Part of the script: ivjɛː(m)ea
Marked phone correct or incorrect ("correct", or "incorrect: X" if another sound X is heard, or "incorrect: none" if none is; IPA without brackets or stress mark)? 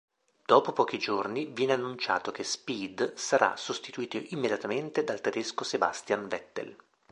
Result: incorrect: n